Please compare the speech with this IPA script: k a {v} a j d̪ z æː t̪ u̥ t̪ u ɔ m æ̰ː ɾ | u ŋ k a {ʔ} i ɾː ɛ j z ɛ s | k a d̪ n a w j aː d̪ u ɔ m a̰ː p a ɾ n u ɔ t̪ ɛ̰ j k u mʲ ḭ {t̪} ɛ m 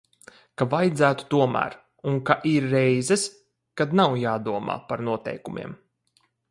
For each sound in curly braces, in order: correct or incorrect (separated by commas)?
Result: correct, correct, incorrect